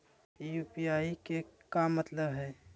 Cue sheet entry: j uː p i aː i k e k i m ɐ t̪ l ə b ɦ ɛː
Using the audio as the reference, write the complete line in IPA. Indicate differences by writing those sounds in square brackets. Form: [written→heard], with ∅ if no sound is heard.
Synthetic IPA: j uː p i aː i k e k [i→a] m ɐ t̪ l ə b ɦ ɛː